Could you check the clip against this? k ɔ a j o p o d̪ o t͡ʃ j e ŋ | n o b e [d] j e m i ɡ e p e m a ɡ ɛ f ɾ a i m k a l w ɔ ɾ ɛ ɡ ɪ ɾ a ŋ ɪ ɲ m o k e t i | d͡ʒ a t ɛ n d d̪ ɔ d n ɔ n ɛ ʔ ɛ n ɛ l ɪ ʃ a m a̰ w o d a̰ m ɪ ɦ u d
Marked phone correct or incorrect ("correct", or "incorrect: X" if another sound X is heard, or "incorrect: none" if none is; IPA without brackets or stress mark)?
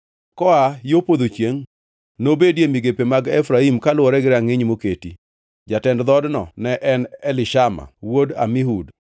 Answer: correct